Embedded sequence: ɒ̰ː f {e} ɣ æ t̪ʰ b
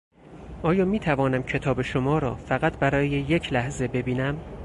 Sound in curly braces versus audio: incorrect: æ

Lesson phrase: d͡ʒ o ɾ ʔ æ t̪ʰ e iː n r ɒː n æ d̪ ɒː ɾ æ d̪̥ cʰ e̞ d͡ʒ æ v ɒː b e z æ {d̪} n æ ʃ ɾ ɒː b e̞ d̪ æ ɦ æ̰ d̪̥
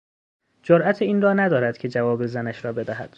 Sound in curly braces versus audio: incorrect: none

